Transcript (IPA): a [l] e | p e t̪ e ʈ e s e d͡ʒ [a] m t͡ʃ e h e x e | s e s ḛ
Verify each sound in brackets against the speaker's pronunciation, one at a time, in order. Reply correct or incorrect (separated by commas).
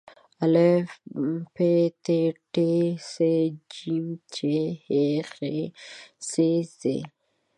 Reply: correct, incorrect